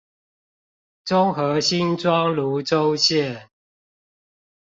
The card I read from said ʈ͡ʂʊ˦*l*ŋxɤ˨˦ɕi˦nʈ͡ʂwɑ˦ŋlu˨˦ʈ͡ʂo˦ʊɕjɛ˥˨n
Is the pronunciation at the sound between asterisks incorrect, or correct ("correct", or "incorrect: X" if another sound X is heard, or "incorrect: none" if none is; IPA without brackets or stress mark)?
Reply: incorrect: none